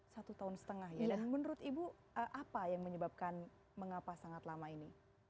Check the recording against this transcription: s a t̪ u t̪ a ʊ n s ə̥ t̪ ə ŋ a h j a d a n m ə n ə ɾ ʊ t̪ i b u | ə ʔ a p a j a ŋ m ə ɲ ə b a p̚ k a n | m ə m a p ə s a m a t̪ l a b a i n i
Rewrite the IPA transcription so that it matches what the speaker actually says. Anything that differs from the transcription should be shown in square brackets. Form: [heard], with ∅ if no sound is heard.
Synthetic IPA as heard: s a t̪ u t̪ a ʊ n s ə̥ t̪ ə ŋ a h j a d a n m ə n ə ɾ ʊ t̪ i b u | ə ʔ a p a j a ŋ m ə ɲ ə b a p̚ k a n | m ə [ŋ] a p [a] s a [ŋ] a t̪ l a [m] a i n i

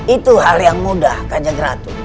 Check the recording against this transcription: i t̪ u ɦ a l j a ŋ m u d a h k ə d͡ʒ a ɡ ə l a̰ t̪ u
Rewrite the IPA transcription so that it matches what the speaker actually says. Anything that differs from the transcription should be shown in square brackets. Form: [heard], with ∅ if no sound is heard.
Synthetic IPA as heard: i t̪ u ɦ a l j a ŋ m u d a h k [a] d͡ʒ a ɡ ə [ɾ] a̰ t̪ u

